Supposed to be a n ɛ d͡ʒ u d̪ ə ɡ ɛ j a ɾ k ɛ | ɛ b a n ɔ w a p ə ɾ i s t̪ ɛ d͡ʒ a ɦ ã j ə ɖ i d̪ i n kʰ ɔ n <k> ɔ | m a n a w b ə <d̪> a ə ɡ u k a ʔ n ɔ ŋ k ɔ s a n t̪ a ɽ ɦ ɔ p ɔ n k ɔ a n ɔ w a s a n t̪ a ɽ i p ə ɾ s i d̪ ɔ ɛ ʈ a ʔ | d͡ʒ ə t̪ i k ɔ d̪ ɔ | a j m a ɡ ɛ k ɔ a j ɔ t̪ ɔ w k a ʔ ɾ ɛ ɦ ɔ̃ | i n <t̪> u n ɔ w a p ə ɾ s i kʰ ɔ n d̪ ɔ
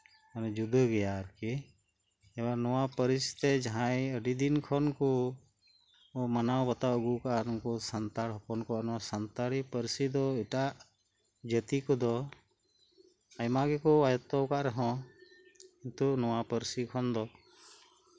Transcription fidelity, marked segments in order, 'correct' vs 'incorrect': correct, incorrect: t̪, correct

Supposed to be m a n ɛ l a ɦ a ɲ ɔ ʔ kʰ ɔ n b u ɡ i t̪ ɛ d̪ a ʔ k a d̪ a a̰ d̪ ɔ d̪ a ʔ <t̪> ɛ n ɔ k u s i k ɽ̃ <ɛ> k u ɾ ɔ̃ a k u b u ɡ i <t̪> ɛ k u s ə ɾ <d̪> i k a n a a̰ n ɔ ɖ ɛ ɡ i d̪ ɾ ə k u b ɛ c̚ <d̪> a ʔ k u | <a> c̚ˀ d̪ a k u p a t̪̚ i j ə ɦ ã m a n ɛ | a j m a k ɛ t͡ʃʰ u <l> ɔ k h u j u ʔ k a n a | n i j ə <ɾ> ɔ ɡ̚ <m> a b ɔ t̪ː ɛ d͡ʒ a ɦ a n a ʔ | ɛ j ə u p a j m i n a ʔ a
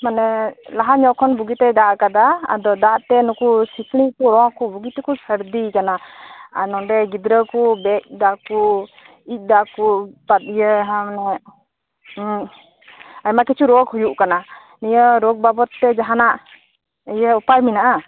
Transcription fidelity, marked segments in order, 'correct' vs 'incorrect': correct, incorrect: i, correct, correct, correct, incorrect: i, incorrect: ɾ, correct, incorrect: b

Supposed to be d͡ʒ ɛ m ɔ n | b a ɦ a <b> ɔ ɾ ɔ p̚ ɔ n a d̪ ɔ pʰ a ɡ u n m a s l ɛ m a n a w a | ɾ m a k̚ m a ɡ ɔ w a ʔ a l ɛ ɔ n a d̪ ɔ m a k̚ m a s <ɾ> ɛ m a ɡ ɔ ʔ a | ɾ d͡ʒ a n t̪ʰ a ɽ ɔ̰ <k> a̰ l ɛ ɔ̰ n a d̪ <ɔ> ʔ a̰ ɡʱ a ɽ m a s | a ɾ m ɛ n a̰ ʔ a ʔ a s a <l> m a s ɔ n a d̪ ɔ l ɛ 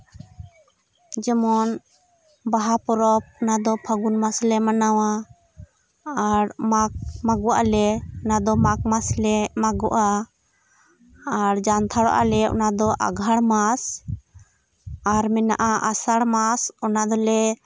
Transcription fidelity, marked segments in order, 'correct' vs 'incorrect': incorrect: p, incorrect: l, incorrect: ʔ, correct, incorrect: ɽ

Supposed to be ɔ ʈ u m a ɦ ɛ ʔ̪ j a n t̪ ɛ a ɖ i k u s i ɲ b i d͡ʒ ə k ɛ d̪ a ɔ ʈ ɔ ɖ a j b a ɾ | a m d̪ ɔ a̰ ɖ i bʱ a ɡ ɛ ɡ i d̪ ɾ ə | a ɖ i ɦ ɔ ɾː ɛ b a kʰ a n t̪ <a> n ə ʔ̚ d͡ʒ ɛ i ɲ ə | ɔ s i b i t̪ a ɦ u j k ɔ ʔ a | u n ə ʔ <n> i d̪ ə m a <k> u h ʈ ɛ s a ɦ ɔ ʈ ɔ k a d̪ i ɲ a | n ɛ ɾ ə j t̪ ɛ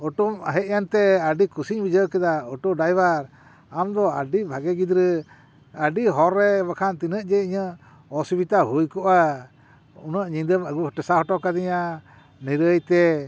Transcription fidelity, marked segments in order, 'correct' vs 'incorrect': incorrect: i, incorrect: ɲ, incorrect: ɡ

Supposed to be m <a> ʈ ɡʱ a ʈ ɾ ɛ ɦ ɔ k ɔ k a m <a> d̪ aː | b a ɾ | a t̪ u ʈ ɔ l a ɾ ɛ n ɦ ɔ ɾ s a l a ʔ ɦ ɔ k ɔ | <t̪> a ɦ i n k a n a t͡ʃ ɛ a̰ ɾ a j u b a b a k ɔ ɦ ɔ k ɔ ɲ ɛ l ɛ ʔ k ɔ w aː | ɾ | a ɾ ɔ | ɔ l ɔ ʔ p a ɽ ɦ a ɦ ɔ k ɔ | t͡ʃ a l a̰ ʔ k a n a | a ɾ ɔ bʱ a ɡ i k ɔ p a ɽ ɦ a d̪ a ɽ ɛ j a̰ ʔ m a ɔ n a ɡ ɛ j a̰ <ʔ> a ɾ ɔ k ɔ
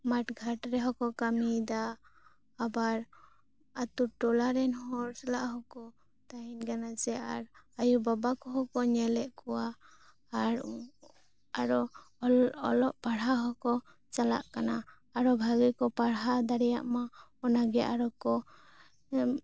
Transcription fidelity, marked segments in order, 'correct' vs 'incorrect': correct, incorrect: i, correct, correct

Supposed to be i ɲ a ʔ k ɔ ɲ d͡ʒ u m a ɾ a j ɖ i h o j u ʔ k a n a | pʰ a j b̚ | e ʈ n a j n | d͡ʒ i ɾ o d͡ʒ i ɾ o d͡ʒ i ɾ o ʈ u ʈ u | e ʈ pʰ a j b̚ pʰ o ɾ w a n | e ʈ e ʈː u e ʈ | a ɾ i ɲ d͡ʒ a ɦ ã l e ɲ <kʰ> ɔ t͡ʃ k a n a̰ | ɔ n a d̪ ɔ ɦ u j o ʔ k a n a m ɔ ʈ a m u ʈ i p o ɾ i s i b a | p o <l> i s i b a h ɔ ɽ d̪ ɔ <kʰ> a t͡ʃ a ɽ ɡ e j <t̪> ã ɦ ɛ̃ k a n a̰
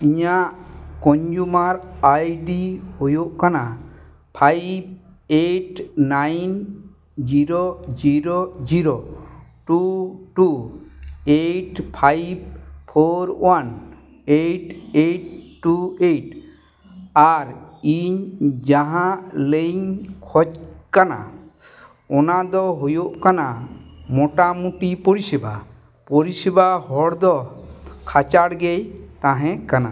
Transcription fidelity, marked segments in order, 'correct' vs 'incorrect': correct, incorrect: ɾ, correct, correct

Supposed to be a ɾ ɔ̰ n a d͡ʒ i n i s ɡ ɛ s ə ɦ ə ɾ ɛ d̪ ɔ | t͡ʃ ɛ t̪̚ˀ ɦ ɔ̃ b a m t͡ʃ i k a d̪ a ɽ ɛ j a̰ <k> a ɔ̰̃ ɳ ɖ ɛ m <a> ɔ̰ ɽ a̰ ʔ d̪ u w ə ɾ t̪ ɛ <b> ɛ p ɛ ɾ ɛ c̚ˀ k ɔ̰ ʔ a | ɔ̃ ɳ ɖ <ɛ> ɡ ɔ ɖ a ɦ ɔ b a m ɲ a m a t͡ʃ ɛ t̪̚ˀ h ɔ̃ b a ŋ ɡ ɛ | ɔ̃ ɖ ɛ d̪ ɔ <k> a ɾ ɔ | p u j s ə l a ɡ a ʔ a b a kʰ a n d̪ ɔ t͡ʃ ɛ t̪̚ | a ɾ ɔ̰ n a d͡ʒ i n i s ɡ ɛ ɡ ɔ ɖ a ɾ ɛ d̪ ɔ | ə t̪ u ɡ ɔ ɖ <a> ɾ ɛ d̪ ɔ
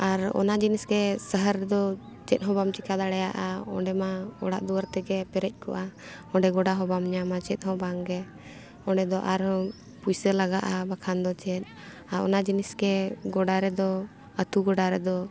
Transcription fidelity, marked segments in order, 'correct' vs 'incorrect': incorrect: ʔ, correct, incorrect: ɡ, correct, incorrect: ʔ, correct

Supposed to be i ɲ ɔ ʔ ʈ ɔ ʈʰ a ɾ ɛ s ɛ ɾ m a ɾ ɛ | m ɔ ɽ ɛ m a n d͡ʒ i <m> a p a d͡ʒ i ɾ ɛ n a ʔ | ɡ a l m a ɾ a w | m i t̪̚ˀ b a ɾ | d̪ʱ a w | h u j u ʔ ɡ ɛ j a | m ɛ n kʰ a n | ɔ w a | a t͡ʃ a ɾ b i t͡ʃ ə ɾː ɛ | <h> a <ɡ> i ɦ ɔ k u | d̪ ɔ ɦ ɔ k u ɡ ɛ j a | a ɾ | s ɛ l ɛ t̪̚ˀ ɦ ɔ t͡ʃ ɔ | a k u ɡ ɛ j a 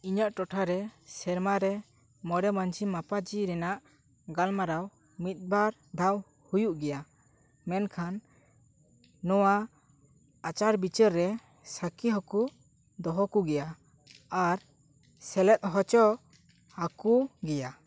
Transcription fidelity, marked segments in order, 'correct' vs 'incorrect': correct, incorrect: s, incorrect: k

